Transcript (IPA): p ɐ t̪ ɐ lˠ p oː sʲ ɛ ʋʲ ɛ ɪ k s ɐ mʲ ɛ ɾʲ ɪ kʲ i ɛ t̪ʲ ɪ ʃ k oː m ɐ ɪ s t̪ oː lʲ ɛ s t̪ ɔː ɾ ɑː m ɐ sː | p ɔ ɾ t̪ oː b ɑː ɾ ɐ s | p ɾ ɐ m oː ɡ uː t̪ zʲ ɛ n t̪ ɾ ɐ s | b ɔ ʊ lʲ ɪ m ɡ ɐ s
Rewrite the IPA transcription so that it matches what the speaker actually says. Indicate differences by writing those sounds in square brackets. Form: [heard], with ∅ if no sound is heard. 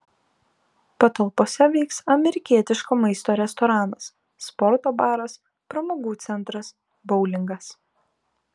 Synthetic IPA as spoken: p ɐ t̪ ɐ lˠ p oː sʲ ɛ ʋʲ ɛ ɪ k s ɐ mʲ ɛ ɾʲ ɪ kʲ i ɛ t̪ʲ ɪ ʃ k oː m ɐ ɪ s t̪ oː [ɾʲ] ɛ s t̪ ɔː ɾ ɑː [n] ɐ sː | p ɔ ɾ t̪ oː b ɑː ɾ ɐ s | p ɾ ɐ m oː ɡ uː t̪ [sʲ] ɛ n t̪ ɾ ɐ s | b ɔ ʊ lʲ ɪ [ŋ] ɡ ɐ s